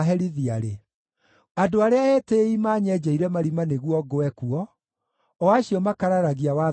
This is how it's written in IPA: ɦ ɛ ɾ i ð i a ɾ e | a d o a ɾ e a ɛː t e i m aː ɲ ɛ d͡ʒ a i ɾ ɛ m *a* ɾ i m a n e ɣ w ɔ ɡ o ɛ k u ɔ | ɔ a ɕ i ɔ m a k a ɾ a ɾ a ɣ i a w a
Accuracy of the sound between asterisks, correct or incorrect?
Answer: correct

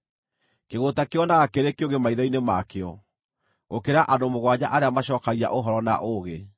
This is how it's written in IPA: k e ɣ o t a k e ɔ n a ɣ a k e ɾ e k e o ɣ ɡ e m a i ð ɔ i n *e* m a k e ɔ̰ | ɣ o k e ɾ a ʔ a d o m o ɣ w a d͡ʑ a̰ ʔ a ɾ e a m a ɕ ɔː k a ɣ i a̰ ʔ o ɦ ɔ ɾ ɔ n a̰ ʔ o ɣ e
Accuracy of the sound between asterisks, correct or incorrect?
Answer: correct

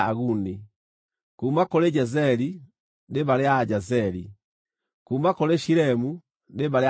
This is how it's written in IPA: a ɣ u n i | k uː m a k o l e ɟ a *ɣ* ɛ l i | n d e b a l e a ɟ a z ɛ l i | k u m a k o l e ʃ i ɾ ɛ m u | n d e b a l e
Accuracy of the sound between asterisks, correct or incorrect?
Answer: incorrect: z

